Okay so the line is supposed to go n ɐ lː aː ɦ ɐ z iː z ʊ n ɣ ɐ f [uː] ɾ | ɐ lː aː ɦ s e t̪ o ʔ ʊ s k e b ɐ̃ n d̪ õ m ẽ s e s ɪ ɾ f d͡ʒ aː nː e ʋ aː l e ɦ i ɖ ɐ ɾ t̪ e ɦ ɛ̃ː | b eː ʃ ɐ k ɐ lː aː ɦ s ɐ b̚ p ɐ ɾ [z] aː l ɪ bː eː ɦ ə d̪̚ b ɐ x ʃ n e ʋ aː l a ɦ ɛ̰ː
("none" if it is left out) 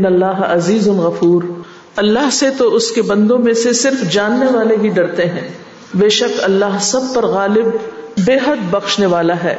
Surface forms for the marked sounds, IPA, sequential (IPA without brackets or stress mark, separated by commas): uː, ɣ